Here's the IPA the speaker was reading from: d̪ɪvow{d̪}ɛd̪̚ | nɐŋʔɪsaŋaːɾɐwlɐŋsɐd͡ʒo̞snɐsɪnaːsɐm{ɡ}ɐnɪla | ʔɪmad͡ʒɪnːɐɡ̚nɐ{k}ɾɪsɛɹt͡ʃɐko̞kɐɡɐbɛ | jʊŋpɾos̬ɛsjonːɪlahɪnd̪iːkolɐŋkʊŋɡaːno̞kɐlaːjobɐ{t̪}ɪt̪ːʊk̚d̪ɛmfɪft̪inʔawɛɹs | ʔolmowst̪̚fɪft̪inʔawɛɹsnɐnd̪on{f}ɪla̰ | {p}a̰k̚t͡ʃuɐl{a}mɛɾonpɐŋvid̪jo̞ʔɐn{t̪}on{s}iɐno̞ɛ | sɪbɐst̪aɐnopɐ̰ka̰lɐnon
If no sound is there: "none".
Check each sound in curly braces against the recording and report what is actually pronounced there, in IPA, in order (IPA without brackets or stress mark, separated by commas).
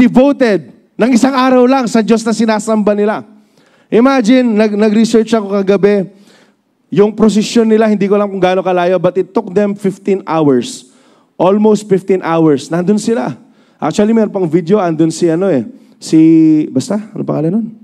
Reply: t̪, b, ɡ, t̪, s, ʔ, i, d̪, s